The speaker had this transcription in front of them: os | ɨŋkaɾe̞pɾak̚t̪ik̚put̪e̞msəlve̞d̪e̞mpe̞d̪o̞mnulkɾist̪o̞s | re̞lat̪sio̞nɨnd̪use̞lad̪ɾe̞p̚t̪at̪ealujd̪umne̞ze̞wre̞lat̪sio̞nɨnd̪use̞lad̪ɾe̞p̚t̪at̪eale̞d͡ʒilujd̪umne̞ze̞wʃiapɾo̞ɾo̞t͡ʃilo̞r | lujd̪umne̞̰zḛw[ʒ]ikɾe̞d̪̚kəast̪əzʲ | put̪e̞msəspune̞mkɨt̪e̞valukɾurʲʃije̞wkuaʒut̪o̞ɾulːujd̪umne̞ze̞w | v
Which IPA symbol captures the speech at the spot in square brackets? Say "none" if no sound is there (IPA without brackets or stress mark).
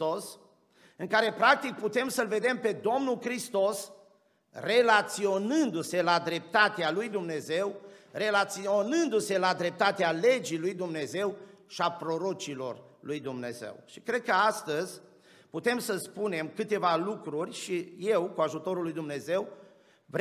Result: ʃ